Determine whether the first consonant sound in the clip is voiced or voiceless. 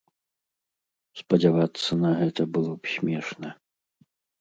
voiceless